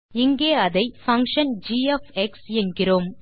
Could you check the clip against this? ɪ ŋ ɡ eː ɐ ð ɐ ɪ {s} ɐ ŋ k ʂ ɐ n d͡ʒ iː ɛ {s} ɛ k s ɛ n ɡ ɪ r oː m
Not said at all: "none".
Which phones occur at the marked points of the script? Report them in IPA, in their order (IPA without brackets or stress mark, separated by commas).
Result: f, f